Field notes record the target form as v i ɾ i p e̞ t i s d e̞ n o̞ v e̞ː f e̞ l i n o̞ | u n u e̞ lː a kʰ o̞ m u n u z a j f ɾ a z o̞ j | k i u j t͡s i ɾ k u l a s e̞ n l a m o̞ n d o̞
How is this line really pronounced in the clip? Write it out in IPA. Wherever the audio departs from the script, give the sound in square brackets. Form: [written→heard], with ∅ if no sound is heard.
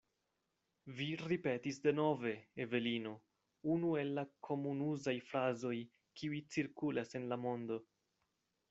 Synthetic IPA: v i ɾ i p e̞ t i s d e̞ n o̞ v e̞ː [f→v] e̞ l i n o̞ | u n u e̞ lː a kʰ o̞ m u n u z a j f ɾ a z o̞ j | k i u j t͡s i ɾ k u l a s e̞ n l a m o̞ n d o̞